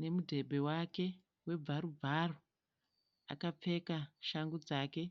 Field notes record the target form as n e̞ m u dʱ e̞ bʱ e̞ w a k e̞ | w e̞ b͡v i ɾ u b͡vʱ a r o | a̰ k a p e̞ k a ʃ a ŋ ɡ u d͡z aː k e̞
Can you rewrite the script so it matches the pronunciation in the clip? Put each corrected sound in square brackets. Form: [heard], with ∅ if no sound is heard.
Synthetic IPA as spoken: n e̞ m u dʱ e̞ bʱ e̞ w a k e̞ | w e̞ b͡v [a] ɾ u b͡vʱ a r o | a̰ k a [p͡f] e̞ k a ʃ a ŋ ɡ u d͡z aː k e̞